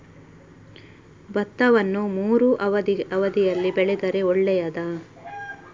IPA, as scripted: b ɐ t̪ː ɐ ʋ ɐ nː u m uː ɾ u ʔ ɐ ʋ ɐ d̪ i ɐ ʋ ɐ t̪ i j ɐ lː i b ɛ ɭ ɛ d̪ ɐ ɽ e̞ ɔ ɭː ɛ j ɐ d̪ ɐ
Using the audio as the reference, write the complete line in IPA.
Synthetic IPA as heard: b ɐ t̪ː ɐ ʋ ɐ nː u m uː ɾ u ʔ ɐ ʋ ɐ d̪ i ɐ ʋ ɐ d̪ i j ɐ lː i b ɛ ɭ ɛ d̪ ɐ ɾ e̞ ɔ ɭː ɛ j ɐ d̪ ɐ